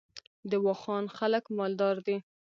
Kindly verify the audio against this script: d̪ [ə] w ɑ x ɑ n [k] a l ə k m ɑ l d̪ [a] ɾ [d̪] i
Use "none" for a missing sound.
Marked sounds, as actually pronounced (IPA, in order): ə, x, ɑ, d̪

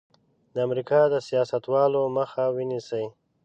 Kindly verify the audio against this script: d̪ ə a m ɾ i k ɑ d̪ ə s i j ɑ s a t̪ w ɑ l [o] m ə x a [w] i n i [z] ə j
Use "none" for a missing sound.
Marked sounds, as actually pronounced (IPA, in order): o, w, s

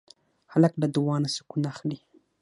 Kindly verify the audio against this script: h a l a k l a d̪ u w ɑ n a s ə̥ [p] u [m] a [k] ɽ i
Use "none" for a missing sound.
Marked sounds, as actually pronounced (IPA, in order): k, n, x

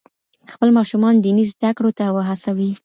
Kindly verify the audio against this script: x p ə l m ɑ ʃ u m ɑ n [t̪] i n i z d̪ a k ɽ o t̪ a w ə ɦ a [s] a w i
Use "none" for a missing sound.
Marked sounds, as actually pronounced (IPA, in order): d̪, s

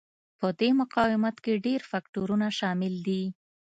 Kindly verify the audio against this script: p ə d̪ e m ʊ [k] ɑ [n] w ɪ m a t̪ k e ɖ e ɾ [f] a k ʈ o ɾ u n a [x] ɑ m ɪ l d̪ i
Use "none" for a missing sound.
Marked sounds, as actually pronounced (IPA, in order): q, none, f, ʃ

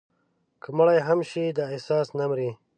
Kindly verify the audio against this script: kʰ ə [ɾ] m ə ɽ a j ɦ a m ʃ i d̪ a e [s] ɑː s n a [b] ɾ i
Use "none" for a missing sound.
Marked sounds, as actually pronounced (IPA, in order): none, s, m

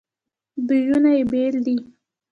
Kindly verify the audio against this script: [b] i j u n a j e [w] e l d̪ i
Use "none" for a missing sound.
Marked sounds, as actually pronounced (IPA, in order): b, b

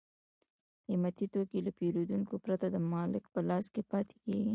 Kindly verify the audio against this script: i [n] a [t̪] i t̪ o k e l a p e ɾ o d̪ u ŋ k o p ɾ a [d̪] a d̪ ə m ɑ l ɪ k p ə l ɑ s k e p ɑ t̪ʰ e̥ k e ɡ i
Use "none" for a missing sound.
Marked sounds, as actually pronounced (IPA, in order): m, t̪, t̪

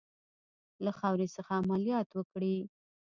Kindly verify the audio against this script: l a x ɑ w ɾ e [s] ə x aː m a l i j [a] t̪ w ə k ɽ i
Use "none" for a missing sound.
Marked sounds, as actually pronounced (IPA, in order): s, ɑ

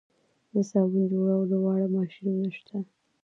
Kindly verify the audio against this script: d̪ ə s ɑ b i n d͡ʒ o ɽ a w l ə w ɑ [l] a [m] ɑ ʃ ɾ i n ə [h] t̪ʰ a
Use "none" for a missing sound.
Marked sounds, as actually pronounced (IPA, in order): ɽ, m, ʃ

